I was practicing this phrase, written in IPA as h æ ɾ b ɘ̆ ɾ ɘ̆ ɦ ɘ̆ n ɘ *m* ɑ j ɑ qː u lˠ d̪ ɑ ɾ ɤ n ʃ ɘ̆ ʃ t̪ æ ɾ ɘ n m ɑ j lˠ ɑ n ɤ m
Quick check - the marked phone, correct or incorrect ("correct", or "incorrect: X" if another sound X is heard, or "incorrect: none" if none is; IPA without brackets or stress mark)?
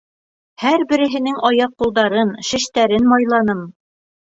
incorrect: ŋ